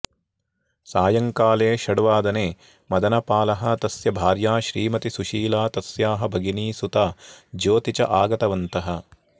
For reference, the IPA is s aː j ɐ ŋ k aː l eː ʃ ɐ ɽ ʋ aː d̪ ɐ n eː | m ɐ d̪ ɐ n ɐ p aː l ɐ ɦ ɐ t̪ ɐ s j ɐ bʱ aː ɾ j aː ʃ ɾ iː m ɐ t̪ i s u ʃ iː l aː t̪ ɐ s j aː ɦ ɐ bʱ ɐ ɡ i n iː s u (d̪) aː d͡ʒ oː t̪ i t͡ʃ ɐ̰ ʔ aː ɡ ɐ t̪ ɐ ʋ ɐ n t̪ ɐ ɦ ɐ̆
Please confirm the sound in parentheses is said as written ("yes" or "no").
no